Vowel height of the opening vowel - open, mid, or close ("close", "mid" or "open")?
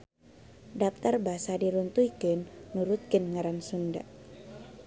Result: open